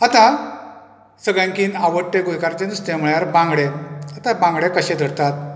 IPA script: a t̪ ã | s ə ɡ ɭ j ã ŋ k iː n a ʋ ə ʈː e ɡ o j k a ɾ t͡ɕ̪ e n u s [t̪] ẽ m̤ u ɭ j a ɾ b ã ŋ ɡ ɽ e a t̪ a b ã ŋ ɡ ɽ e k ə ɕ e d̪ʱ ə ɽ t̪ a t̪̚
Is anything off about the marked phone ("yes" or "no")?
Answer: no